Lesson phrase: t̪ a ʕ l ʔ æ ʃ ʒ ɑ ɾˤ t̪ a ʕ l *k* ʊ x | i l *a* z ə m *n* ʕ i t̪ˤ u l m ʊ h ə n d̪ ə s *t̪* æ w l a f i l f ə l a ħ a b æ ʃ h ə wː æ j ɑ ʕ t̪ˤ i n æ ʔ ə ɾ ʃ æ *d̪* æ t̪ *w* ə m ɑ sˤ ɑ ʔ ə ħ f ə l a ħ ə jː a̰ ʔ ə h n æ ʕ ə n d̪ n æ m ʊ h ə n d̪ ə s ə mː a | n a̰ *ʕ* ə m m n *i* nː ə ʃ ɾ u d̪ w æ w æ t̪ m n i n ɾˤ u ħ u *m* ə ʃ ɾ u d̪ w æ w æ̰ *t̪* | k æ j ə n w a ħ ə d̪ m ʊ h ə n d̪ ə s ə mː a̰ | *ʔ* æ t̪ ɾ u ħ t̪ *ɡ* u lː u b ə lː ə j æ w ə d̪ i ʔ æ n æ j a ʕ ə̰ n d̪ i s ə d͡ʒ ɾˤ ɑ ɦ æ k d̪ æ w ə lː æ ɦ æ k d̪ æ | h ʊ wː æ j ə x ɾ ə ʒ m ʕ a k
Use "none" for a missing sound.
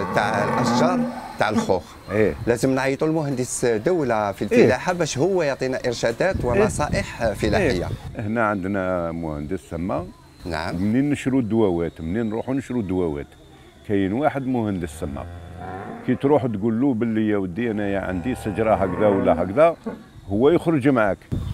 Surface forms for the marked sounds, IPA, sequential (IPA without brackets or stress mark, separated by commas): x, æ, n, d̪, d̪, w, ʕ, i, n, t̪, k, ɡ